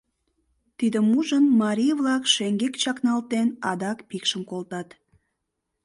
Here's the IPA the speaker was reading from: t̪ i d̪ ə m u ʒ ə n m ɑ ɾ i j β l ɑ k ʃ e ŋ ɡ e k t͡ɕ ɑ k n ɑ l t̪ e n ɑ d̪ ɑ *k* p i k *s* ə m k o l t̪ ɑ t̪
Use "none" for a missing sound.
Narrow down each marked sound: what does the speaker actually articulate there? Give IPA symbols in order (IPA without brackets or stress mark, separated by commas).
k, ʃ